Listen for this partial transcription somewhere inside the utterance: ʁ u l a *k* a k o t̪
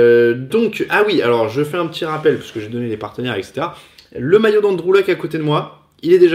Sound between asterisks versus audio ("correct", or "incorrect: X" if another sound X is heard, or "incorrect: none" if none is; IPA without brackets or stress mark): correct